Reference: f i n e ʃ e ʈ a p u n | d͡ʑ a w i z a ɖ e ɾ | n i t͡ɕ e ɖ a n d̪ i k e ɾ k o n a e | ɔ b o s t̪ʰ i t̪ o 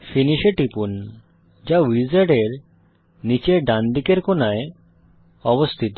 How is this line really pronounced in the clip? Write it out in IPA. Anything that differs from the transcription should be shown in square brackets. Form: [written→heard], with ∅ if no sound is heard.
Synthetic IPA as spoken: f i n [e→i] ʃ e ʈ [a→i] p u n | d͡ʑ a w i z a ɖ e ɾ | n i t͡ɕ e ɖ a n d̪ i k e ɾ k o n a e | ɔ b o s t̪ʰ i t̪ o